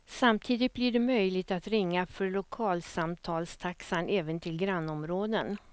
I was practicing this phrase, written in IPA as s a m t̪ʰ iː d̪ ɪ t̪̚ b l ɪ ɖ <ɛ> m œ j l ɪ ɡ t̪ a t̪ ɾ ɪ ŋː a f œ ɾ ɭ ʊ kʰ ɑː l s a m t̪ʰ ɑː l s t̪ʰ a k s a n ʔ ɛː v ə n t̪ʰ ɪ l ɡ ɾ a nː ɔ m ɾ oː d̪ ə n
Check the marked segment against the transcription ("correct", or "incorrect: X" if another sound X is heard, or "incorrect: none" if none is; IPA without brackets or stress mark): correct